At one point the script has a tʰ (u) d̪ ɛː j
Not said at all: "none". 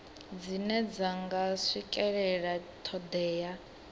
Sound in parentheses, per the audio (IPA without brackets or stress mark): ɔ